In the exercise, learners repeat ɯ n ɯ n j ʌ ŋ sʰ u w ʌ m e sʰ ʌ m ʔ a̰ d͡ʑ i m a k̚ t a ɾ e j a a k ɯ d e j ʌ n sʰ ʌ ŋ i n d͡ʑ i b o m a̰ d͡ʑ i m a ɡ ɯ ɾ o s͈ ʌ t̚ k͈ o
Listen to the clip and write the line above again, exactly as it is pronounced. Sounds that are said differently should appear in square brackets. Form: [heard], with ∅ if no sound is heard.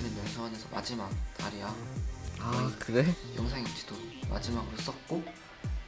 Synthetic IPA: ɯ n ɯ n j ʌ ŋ sʰ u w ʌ [n] e sʰ ʌ m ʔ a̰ d͡ʑ i m a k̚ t a ɾ [i] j a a k ɯ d e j ʌ [ŋ] sʰ [a] ŋ i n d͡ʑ i [d] o m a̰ d͡ʑ i m a ɡ ɯ ɾ o s͈ ʌ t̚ k͈ o